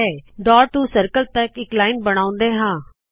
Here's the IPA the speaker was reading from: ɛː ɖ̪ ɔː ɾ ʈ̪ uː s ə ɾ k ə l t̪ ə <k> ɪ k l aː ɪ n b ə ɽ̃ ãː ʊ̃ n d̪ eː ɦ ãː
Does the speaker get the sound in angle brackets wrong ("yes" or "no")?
no